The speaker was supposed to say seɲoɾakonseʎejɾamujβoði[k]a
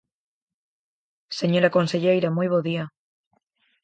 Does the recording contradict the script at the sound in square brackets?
yes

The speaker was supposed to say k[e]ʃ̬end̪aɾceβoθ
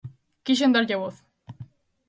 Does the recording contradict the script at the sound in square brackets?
yes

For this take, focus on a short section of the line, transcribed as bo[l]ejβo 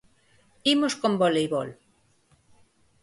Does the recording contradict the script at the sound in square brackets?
no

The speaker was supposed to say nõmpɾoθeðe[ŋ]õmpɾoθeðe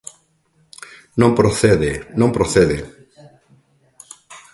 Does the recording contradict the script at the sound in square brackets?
yes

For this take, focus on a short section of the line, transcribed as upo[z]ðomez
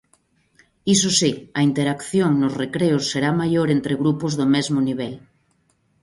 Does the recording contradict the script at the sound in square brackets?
no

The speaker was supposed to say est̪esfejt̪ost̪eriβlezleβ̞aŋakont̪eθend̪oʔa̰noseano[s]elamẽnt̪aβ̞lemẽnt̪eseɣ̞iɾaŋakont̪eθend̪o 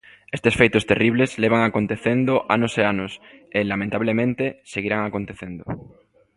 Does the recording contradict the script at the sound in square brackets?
no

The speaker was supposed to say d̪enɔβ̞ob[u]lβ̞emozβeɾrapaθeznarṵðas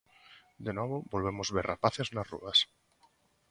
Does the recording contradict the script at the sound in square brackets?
yes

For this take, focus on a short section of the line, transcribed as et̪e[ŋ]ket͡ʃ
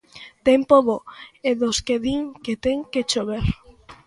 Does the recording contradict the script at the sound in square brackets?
no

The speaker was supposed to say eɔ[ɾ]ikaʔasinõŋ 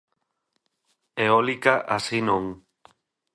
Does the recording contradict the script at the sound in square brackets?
yes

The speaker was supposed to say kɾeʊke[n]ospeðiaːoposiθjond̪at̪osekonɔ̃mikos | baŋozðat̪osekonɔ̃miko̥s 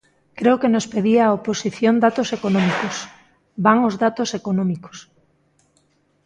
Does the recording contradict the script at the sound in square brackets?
no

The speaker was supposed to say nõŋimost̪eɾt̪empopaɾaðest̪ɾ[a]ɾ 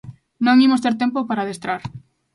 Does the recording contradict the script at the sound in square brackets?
no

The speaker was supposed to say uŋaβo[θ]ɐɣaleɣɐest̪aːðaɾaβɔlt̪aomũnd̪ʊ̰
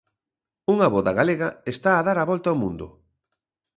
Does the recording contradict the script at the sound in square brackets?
yes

